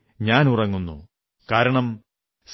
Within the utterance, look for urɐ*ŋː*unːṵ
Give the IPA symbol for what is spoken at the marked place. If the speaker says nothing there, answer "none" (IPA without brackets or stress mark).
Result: ŋː